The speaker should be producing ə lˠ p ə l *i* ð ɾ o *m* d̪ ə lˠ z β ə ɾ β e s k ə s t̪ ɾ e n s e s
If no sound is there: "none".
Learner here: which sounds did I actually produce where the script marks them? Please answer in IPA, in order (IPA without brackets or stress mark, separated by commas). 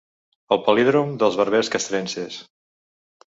i, m